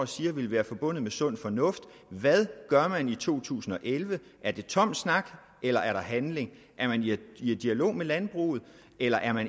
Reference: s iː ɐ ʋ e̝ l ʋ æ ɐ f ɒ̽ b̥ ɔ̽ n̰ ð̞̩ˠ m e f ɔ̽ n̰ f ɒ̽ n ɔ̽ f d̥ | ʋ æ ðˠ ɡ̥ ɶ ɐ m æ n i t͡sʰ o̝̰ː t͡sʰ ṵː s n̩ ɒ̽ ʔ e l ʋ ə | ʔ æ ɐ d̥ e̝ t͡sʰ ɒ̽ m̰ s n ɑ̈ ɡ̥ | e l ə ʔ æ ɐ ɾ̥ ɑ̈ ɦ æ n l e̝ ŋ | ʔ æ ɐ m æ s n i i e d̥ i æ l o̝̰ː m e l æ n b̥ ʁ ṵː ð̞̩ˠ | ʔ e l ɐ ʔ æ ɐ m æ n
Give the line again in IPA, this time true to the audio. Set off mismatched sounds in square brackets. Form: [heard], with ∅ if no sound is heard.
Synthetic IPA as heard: s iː ɐ ʋ e̝ l ʋ [æː] ɐ f ɒ̽ b̥ ɔ̽ n̰ ð̞̩ˠ m e [s] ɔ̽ n̰ f ɒ̽ n ɔ̽ f d̥ | ʋ æ ðˠ ɡ̥ ɶ ɐ m æ n i t͡sʰ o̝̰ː t͡sʰ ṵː s n̩ ɒ̽ ʔ e l ʋ ə | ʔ æ ɐ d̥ e̝ t͡sʰ ɒ̽ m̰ s n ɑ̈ ɡ̥ | e l [ɐ] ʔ æ ɐ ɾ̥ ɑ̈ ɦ æ n l e̝ ŋ | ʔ æ ɐ m æ [∅] n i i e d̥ i æ l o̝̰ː m e l æ n b̥ ʁ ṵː ð̞̩ˠ | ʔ e l ɐ ʔ æ ɐ m æ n